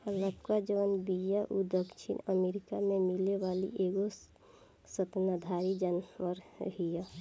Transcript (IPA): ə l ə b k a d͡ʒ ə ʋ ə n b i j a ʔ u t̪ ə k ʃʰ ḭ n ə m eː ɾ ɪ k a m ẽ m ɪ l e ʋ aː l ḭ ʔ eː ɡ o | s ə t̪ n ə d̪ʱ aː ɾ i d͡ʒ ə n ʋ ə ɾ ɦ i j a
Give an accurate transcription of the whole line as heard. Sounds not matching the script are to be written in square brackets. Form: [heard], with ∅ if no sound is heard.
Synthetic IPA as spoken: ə l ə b k a d͡ʒ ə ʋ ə n b i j a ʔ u [d̪] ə k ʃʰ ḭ n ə m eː ɾ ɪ k a m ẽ m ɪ l e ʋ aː l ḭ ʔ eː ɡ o | s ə t̪ n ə d̪ʱ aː ɾ i d͡ʒ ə n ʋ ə ɾ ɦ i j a